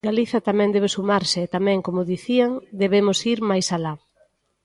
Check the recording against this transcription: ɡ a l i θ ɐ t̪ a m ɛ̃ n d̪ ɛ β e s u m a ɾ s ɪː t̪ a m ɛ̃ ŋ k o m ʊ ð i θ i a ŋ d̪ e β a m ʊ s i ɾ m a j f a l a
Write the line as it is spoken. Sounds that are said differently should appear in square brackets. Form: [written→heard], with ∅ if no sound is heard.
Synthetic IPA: ɡ a l i θ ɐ t̪ a m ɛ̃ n d̪ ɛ β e s u m a ɾ s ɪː t̪ a m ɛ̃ ŋ k o m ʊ ð i θ i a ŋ d̪ e β [a→e] m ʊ s i ɾ m a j [f→s] a l a